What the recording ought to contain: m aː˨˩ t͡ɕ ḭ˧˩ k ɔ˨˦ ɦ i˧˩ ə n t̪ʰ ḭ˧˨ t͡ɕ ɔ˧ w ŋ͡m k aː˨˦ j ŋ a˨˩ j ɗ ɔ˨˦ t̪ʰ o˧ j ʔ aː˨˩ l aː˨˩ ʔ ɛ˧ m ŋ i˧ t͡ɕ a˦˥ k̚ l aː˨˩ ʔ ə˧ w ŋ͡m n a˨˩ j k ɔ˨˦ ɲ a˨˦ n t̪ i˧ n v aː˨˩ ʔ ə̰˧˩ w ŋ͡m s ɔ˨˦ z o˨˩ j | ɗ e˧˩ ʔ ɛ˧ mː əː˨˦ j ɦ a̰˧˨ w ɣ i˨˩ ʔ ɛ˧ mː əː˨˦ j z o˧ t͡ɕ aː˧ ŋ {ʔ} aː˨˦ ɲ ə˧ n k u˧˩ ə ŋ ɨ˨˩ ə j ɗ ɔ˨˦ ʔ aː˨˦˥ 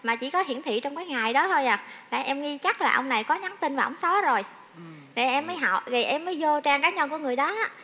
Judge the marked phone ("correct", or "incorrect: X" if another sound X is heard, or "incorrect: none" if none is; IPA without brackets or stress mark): incorrect: k